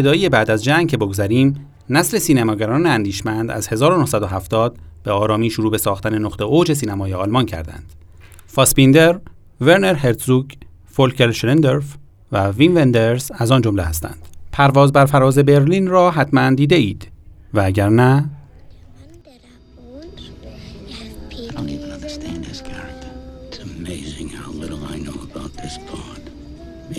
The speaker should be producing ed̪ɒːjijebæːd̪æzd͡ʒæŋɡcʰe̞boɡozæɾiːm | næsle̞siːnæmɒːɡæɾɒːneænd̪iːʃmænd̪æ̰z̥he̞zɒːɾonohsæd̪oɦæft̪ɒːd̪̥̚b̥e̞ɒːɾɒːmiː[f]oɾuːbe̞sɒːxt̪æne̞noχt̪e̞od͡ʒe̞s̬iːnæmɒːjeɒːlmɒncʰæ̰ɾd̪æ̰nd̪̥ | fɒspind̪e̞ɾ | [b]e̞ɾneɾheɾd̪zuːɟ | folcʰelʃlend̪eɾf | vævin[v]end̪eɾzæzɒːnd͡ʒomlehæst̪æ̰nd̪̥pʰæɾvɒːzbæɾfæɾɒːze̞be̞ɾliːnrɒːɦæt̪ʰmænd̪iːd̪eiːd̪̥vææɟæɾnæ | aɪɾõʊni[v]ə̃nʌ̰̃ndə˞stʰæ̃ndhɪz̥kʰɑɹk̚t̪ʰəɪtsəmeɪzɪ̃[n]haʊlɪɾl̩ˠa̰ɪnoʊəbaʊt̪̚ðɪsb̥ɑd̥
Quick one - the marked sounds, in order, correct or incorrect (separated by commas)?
incorrect, incorrect, correct, correct, incorrect